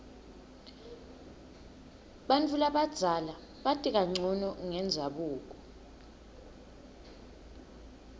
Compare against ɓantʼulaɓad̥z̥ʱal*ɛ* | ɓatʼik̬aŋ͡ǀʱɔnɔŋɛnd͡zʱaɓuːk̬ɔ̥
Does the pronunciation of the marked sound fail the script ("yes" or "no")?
yes